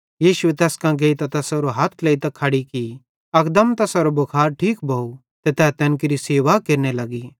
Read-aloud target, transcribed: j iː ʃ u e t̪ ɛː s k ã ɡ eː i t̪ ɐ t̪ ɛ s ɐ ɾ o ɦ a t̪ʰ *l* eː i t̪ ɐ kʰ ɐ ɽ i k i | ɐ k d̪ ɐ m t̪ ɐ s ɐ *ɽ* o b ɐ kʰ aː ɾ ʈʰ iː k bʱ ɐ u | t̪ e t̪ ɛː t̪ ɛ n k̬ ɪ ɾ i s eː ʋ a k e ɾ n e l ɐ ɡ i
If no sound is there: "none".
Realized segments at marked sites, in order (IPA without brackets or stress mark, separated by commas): l, ɾ